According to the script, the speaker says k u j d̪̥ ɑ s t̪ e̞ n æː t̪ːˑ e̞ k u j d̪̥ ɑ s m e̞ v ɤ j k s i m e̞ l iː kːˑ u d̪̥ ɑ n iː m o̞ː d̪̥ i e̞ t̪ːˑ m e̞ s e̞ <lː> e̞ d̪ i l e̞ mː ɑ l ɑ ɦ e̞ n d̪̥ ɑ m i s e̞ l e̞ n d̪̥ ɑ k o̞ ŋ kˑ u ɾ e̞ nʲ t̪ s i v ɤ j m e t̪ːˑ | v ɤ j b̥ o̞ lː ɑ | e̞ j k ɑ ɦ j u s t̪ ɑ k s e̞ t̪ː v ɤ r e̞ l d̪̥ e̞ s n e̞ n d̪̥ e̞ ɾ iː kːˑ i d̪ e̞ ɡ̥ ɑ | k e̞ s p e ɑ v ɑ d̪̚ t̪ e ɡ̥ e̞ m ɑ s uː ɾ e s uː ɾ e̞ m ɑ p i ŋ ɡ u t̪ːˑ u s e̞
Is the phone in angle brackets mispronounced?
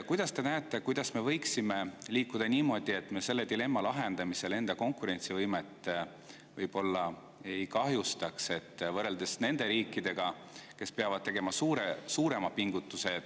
no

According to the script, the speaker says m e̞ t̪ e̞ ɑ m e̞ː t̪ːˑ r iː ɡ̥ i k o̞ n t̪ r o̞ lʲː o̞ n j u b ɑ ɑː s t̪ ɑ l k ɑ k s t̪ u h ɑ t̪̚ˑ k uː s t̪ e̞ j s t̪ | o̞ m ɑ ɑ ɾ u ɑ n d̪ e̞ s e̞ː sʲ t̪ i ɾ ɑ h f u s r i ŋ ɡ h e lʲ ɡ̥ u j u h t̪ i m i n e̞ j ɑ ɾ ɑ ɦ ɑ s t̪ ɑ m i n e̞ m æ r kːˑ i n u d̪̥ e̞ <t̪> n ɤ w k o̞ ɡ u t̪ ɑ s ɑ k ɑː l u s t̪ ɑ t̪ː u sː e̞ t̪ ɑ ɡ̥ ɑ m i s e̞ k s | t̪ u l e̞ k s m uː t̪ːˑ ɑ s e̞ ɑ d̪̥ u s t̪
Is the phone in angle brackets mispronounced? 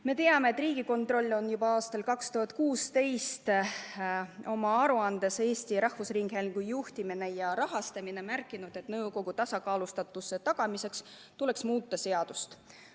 no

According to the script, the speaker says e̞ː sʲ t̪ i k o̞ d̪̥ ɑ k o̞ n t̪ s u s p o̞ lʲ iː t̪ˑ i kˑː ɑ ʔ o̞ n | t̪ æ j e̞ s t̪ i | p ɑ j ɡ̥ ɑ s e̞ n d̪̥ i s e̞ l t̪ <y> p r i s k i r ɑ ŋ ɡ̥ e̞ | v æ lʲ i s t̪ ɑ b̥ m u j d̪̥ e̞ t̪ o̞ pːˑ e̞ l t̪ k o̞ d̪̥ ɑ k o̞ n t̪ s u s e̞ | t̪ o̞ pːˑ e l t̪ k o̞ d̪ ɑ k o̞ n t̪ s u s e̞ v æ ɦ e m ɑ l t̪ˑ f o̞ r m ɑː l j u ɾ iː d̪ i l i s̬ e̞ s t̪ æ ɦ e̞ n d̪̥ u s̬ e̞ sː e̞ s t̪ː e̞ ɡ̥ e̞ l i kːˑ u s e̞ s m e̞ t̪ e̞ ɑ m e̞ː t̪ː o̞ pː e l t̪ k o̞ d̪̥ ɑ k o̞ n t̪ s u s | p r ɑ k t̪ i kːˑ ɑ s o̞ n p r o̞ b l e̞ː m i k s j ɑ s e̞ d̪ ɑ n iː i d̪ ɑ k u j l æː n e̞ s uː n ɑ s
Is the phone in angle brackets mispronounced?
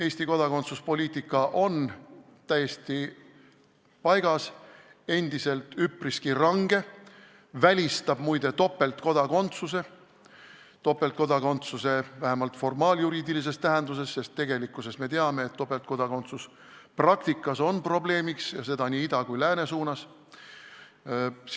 no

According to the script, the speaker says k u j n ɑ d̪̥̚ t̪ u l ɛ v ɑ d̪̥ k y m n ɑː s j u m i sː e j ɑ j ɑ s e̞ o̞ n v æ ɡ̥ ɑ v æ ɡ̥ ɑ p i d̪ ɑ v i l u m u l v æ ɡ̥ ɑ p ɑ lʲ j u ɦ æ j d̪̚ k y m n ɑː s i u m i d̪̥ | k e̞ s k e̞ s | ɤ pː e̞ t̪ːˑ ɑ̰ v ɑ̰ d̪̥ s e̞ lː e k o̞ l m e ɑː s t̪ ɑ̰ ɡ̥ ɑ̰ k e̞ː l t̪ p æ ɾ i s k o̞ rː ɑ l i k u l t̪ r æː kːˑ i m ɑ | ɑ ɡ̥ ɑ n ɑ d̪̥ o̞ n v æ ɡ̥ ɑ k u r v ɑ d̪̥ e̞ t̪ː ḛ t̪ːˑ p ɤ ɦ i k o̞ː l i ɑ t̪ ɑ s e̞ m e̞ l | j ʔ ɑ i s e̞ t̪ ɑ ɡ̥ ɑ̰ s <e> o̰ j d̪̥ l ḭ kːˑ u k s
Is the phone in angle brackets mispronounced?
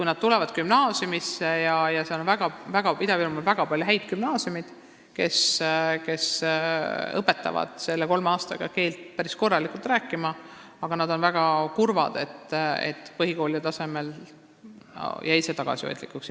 yes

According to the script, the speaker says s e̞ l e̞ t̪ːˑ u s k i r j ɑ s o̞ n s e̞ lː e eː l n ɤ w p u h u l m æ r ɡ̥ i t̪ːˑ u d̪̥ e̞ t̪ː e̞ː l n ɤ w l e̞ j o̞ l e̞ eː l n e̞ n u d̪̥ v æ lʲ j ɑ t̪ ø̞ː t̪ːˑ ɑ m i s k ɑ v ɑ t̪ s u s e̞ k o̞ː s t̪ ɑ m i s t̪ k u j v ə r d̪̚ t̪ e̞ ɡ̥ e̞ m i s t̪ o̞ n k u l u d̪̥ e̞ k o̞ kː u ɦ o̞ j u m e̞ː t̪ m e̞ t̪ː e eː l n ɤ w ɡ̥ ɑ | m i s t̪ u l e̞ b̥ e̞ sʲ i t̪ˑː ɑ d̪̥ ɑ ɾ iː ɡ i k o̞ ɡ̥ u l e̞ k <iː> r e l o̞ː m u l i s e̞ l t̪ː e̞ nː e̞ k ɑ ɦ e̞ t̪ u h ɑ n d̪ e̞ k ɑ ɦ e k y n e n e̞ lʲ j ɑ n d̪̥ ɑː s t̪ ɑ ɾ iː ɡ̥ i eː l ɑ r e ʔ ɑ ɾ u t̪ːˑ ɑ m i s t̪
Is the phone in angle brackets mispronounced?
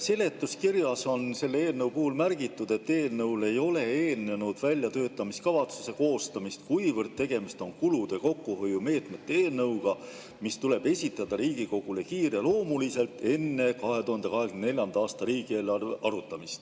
no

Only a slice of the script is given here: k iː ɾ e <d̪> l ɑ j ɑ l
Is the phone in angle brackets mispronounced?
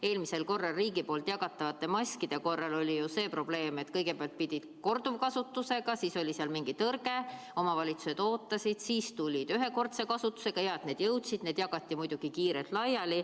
yes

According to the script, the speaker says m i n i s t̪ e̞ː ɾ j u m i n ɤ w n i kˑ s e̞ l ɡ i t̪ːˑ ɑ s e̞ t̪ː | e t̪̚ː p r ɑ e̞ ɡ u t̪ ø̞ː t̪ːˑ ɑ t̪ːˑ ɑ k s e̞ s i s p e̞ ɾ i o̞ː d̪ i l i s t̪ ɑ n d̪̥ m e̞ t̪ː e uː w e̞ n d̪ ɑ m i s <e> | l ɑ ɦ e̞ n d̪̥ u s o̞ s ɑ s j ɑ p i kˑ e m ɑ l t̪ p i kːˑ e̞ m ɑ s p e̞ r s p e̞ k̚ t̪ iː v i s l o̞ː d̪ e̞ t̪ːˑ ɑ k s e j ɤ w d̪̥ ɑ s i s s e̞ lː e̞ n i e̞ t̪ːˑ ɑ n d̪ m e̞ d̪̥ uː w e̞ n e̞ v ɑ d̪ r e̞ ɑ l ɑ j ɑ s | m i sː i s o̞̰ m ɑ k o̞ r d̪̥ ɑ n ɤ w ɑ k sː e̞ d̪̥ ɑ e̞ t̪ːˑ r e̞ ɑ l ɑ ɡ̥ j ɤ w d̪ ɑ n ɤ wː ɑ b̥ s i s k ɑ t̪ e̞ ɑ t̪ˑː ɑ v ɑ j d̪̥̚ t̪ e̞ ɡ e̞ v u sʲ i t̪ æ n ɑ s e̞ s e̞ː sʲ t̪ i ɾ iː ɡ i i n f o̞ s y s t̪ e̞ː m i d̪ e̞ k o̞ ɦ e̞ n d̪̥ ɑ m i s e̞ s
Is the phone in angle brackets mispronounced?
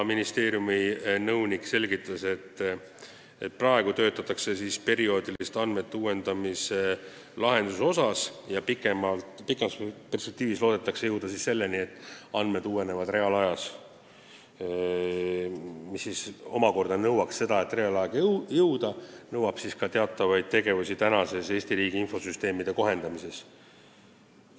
no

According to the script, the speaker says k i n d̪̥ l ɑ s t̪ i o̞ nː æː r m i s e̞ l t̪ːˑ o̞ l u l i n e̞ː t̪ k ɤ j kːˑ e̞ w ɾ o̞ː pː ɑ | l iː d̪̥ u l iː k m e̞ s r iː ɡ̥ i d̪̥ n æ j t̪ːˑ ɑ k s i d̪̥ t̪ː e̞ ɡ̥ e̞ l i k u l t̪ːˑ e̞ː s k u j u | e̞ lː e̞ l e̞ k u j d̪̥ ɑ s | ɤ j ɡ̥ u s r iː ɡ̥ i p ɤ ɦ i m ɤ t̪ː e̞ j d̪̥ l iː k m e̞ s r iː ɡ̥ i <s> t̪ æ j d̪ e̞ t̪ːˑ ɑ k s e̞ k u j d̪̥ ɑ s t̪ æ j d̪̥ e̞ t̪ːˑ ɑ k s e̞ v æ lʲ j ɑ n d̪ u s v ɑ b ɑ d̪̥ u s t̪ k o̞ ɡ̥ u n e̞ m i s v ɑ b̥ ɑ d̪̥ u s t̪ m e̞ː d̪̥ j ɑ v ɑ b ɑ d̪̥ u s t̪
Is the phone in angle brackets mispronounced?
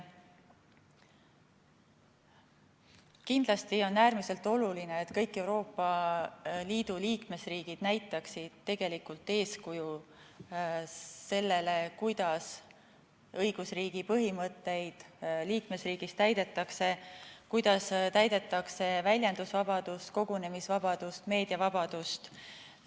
no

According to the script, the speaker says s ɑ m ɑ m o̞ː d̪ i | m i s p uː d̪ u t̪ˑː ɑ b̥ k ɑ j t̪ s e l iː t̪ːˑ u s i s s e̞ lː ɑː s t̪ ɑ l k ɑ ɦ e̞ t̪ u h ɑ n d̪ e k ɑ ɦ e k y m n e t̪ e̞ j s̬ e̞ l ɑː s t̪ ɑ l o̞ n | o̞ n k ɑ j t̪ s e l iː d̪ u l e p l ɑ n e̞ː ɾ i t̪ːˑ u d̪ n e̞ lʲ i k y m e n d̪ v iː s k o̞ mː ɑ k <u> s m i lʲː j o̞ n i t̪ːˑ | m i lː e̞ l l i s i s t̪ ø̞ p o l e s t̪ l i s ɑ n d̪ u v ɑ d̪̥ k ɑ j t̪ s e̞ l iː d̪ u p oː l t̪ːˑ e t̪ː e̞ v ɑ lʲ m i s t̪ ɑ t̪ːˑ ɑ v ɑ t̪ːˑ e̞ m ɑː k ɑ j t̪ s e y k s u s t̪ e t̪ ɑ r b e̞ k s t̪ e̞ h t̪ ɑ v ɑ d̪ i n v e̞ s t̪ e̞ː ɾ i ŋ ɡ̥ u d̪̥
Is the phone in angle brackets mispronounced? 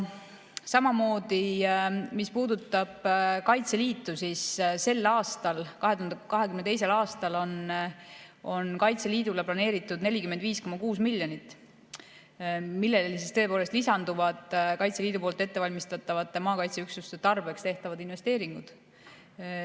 yes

